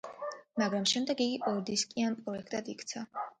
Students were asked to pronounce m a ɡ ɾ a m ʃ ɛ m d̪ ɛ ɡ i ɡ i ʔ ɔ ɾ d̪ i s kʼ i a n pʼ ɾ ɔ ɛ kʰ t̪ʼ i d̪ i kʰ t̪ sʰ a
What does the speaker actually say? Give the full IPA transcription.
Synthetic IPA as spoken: m a ɡ ɾ a m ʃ ɛ m d̪ ɛ ɡ i ɡ i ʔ ɔ ɾ d̪ i s kʼ i a n pʼ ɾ ɔ ɛ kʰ t̪ʼ a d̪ i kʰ t̪ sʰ a